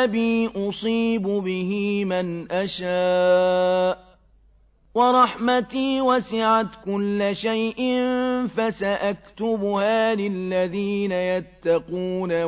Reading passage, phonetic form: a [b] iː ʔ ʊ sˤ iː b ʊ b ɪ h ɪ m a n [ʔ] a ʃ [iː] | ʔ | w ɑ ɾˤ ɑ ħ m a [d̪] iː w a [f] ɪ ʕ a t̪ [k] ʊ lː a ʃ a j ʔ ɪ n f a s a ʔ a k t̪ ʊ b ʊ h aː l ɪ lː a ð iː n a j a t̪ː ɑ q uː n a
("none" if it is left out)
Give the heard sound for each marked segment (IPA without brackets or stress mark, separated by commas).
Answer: b, ʔ, aː, t̪, s, k